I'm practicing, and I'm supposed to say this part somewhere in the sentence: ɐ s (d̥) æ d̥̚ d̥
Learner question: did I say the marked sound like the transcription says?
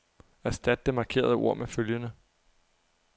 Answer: yes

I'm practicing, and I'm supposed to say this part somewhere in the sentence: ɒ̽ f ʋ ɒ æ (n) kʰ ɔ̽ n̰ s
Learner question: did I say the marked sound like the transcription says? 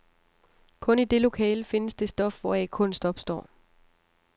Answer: no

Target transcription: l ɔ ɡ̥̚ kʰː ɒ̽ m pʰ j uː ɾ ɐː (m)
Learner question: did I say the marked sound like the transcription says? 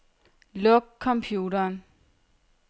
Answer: no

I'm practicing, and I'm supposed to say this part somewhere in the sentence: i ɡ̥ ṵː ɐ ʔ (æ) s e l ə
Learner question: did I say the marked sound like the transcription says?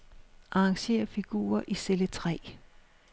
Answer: no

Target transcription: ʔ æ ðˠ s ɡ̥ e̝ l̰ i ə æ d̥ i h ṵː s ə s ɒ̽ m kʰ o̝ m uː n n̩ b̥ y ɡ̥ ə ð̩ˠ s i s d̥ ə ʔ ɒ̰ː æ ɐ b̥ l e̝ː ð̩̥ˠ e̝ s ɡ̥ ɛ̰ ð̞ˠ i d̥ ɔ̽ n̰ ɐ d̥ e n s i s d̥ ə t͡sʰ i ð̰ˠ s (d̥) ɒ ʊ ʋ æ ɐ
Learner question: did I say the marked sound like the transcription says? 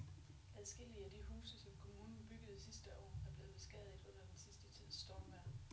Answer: yes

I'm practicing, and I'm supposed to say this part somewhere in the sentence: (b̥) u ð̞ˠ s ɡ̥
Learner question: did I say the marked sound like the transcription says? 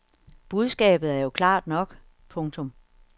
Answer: yes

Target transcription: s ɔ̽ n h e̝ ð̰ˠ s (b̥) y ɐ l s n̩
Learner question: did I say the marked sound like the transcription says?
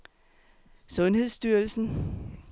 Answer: no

